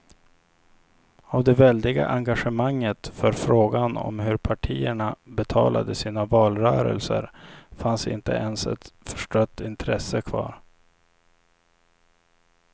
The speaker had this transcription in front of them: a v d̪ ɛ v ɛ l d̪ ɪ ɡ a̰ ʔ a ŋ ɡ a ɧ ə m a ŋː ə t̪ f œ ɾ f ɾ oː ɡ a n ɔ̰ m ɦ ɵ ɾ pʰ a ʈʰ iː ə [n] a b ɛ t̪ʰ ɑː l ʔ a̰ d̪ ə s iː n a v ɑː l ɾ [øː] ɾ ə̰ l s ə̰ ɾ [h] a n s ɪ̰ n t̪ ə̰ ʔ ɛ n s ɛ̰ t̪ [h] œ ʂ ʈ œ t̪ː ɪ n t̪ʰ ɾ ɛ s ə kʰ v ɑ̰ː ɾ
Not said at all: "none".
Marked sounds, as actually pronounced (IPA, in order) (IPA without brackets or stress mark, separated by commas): ɳ, œː, f, f